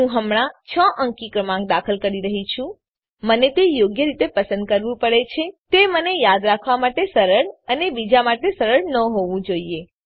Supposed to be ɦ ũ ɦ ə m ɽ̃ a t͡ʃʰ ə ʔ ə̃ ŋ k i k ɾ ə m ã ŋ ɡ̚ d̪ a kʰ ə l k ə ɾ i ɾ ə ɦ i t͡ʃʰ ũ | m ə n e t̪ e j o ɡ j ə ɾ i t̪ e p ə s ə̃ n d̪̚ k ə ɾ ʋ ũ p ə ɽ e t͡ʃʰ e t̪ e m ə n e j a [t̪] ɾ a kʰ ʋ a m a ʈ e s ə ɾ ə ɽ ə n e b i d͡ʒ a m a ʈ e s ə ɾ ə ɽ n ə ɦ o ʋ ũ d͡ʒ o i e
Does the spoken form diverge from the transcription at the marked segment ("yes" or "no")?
yes